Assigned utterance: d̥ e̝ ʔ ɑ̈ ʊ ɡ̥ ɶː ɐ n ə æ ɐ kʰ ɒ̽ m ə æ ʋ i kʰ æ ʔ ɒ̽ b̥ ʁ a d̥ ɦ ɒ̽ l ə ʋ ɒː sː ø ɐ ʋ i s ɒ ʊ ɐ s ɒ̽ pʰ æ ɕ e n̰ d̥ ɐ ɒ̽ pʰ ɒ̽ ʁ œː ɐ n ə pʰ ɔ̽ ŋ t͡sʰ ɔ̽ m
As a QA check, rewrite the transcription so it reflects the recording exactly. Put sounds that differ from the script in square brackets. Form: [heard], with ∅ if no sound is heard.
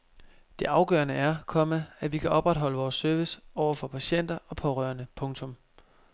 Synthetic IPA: d̥ e̝ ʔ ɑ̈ ʊ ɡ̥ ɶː ɐ n ə æ ɐ kʰ ɒ̽ m ə æ ʋ i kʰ æ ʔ ɒ̽ b̥ ʁ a d̥ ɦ ɒ̽ l ə ʋ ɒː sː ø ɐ ʋ i s ɒ ʊ ɐ [f] ɒ̽ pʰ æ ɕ e n̰ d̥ ɐ ɒ̽ pʰ ɒ̽ ʁ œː ɐ n ə pʰ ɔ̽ ŋ t͡sʰ ɔ̽ m